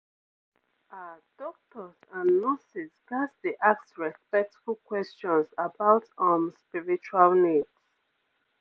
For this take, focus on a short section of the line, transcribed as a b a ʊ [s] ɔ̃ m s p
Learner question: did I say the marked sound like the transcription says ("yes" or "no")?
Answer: no